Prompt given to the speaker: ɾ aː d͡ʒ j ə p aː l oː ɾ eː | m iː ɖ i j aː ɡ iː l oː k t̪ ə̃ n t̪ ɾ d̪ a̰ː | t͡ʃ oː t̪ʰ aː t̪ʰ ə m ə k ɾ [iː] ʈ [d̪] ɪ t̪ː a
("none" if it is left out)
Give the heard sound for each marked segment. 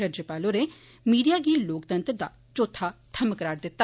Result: aː, d̪

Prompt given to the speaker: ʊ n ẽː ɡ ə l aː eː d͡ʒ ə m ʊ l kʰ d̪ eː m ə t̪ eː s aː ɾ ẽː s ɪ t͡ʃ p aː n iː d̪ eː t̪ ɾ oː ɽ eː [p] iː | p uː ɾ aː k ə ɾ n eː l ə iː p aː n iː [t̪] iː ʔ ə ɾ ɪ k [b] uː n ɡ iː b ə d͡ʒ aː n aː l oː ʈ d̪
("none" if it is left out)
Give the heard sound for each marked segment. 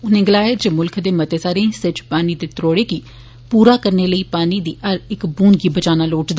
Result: k, d̪, b

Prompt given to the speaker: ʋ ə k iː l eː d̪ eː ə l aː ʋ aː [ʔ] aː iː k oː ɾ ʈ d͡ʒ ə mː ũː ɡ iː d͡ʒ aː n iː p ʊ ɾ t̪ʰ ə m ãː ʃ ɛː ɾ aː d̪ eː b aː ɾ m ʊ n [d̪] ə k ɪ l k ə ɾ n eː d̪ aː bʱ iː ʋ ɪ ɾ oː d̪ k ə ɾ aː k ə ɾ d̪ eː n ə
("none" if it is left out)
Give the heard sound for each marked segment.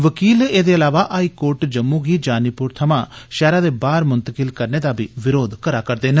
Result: ʔ, t̪

